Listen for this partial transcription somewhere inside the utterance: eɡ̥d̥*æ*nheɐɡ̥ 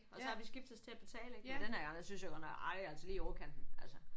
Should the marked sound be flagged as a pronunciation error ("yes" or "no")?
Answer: yes